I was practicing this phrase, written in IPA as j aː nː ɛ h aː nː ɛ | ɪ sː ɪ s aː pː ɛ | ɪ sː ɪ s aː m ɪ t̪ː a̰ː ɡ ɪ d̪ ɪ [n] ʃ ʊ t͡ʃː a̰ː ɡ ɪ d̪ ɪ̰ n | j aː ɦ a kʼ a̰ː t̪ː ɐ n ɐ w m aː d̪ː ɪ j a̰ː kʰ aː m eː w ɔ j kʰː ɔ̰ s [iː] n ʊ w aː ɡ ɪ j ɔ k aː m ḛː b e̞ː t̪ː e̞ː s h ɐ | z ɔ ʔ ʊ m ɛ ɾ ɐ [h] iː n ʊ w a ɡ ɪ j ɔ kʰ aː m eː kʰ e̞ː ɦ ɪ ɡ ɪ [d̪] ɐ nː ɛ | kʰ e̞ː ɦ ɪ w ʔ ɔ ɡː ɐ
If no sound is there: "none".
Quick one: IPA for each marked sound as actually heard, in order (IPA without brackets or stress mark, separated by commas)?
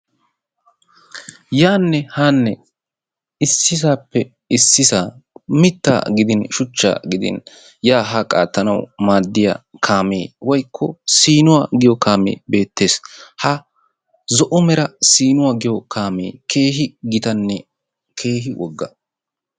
n, iː, s, t̪